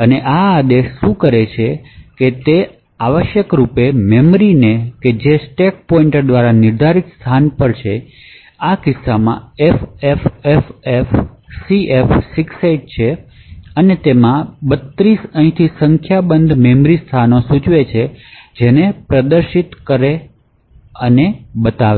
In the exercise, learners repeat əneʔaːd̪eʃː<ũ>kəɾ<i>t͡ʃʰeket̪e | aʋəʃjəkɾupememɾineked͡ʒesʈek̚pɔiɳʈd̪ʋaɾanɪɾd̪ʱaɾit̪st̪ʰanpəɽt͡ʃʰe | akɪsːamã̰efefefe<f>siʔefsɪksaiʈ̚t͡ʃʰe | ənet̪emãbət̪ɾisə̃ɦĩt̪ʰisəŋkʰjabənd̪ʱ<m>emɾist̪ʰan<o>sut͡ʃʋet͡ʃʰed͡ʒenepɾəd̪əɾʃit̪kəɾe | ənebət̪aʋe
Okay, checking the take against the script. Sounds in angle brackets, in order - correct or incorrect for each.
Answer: correct, incorrect: e, correct, correct, correct

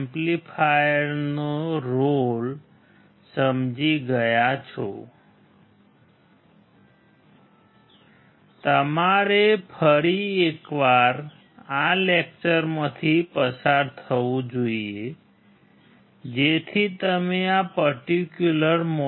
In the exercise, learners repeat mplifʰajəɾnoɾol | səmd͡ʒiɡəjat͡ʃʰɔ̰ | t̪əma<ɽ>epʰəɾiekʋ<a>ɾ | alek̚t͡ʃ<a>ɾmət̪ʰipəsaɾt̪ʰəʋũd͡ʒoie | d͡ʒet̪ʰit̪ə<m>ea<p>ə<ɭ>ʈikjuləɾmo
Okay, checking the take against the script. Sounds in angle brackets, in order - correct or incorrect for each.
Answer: incorrect: ɾ, correct, incorrect: ə, correct, correct, incorrect: ɾ

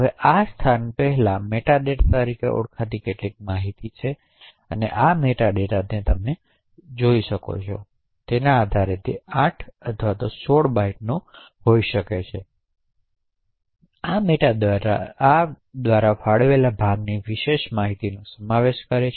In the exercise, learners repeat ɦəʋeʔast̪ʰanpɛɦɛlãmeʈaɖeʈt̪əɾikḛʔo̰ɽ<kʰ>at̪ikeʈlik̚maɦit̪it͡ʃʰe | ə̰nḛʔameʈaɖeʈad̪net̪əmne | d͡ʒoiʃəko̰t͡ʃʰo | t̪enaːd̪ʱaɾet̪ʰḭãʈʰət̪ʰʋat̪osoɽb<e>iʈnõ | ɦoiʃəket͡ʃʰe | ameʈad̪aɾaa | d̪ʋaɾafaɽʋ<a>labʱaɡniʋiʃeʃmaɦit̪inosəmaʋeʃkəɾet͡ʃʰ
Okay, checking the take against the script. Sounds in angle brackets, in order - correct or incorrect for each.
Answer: correct, incorrect: a, incorrect: e

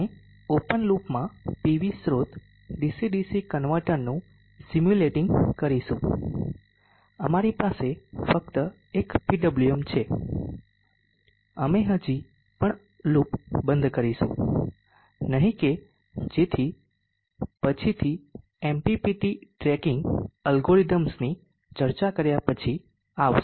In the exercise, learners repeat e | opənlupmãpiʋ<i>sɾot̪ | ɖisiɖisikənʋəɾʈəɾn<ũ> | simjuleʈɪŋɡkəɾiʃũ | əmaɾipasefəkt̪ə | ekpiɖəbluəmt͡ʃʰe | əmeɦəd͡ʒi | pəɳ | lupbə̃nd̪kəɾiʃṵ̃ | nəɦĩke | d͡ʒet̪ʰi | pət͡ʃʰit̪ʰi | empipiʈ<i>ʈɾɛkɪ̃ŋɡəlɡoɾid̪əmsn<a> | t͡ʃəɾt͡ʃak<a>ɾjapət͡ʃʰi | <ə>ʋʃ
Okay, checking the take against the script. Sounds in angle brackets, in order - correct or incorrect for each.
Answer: correct, correct, correct, incorrect: i, incorrect: ə, incorrect: a

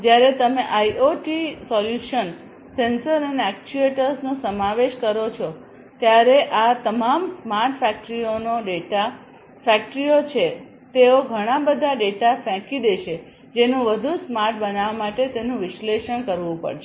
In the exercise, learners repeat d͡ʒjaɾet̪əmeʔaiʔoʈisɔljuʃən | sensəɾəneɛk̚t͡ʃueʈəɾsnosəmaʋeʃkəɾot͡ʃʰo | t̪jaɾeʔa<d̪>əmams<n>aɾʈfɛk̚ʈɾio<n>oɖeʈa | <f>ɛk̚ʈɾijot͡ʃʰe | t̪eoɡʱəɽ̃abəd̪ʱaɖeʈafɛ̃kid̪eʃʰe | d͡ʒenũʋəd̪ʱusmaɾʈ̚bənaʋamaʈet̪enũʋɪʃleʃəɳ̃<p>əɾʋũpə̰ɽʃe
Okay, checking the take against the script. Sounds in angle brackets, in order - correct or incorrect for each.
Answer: incorrect: t̪, incorrect: m, correct, correct, incorrect: k

